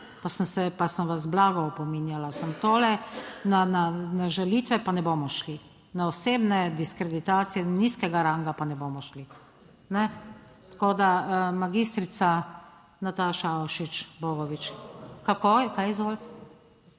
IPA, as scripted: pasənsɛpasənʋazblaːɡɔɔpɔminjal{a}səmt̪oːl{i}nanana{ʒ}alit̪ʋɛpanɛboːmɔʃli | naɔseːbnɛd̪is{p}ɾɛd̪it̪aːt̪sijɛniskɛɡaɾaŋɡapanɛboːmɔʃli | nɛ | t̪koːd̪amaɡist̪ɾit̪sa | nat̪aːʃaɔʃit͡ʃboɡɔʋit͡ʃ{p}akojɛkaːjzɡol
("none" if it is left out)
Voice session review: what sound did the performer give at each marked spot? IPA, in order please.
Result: a, ɛ, ʒ, k, k

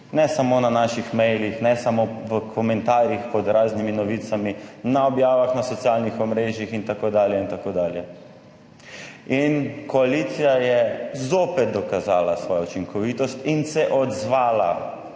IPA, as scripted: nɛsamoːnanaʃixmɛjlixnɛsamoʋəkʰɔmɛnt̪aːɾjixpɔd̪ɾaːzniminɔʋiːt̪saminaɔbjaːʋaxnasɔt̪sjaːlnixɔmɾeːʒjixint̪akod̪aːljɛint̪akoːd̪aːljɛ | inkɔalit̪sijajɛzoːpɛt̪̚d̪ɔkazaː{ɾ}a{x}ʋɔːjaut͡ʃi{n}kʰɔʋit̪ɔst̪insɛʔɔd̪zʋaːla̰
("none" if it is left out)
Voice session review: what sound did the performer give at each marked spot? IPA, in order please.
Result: l, s, ŋ

